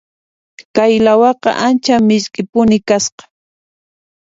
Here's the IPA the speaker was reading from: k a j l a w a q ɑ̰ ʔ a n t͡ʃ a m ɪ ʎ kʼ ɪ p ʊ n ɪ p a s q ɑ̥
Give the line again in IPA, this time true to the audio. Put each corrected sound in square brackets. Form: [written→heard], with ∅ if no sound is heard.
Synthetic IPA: k a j l a w [a→ɑ] q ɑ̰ ʔ a n t͡ʃ a m ɪ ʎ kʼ ɪ p ʊ n ɪ [p→k] a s q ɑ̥